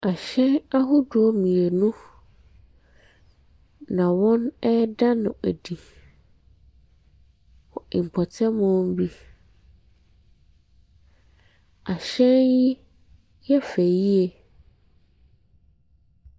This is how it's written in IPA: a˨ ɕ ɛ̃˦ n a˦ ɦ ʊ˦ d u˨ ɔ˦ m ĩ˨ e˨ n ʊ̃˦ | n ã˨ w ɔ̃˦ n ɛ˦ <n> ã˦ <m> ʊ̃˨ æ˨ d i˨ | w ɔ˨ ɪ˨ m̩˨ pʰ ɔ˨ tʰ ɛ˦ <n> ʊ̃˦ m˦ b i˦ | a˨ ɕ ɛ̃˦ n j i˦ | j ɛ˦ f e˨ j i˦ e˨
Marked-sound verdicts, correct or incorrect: incorrect: d, incorrect: n, incorrect: m

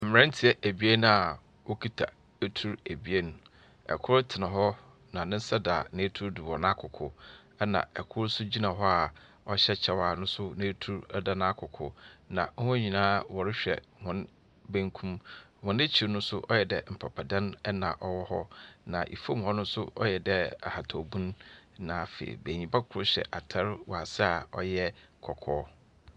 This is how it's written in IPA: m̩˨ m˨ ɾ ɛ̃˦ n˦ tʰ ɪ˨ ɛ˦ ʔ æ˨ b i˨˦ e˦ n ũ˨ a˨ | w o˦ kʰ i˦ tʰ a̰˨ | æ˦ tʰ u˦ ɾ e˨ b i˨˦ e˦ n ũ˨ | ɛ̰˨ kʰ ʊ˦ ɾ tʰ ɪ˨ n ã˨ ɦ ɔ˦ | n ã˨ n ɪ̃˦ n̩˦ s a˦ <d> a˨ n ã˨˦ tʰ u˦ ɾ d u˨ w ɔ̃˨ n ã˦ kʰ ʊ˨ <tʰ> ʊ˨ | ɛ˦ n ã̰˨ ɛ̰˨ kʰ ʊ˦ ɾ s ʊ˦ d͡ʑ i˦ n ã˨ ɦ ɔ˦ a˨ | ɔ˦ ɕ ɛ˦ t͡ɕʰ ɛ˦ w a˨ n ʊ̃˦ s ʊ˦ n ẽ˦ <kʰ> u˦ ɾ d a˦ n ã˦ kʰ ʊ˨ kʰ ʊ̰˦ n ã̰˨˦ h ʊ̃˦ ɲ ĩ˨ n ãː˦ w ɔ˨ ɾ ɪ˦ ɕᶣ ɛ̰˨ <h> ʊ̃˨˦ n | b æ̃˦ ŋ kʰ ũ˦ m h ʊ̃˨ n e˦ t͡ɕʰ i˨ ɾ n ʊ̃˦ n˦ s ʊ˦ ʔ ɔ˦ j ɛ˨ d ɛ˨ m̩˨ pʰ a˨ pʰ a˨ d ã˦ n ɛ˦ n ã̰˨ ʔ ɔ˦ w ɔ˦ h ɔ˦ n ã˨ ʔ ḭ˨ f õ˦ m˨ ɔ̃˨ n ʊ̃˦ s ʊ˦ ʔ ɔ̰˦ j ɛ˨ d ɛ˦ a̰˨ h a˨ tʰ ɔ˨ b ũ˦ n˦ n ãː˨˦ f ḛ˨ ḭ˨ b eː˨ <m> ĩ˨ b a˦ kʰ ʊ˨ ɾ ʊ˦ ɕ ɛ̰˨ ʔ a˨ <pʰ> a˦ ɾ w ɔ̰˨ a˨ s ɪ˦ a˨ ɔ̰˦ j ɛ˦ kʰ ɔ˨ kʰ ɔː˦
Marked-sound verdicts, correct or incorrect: correct, incorrect: kʰ, incorrect: tʰ, correct, incorrect: ɲ, incorrect: tʰ

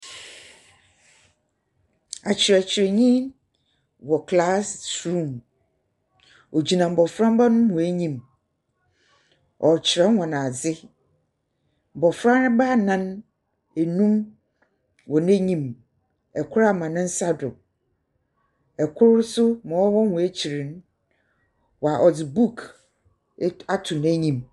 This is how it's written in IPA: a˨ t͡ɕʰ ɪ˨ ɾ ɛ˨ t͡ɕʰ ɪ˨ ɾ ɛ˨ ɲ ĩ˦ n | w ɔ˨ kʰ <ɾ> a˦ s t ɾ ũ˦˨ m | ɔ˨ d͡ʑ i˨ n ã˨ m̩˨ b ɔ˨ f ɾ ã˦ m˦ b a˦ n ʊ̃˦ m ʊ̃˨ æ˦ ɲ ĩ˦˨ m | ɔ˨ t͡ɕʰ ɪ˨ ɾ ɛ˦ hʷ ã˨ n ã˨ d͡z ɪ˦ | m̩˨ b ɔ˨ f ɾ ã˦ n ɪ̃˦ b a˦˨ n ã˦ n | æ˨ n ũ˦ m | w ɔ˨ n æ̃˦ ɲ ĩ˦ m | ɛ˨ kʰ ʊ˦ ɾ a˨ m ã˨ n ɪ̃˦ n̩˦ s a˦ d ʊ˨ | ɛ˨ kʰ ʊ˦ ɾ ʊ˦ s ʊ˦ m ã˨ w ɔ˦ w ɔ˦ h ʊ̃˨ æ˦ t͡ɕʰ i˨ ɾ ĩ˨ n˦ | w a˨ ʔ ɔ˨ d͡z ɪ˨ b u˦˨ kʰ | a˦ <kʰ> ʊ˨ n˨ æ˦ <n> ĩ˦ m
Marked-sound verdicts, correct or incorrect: incorrect: l, incorrect: tʰ, incorrect: ɲ

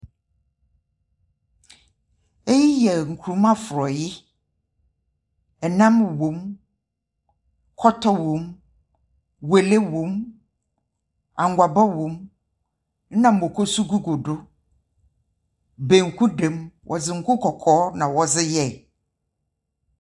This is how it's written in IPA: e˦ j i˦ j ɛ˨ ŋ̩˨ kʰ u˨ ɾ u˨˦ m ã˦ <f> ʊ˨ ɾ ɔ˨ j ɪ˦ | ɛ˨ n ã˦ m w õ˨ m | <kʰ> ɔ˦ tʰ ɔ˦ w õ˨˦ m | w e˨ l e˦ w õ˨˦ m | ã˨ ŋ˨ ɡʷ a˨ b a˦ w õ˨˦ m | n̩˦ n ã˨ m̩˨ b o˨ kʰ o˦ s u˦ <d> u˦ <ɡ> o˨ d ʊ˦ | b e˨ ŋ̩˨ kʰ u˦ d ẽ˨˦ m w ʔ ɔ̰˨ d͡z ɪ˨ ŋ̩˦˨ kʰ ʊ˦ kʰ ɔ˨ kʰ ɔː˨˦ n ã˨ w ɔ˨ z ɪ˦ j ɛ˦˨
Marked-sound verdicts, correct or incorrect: correct, correct, incorrect: ɡ, correct

